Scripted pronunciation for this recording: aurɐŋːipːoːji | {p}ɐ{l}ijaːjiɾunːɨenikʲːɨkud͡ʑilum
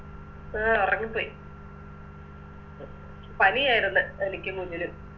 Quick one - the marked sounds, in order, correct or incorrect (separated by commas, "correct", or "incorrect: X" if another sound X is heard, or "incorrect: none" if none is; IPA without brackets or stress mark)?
correct, correct